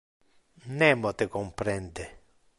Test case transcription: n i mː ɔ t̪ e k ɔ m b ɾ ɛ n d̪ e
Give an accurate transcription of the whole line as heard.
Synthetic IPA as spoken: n ɛ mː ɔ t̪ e k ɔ m p ɾ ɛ n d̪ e